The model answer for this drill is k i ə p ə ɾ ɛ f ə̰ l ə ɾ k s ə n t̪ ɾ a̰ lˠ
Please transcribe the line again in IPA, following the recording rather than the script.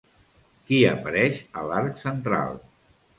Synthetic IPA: k i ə p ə ɾ ɛ ʃ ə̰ l a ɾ k s ə n t̪ ɾ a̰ lˠ